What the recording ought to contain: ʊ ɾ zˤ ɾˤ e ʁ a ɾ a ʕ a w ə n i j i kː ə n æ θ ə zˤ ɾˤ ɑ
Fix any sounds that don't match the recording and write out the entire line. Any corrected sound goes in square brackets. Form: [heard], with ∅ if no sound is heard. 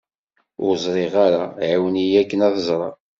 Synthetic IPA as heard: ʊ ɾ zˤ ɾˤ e ʁ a ɾ a ʕ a w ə n i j [æ] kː ə n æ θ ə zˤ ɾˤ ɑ